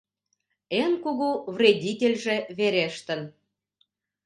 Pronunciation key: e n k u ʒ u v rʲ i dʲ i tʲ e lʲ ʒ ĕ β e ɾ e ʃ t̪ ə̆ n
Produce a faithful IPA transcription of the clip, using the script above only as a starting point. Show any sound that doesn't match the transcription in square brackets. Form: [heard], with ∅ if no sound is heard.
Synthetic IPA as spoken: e n k u [ɣ] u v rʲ [e] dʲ i tʲ e lʲ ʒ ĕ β e ɾ e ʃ t̪ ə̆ n